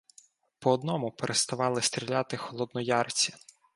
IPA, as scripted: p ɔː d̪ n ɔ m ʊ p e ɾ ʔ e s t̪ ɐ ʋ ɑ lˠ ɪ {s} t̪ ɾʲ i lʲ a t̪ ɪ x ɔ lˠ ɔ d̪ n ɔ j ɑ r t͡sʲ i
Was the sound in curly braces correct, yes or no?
yes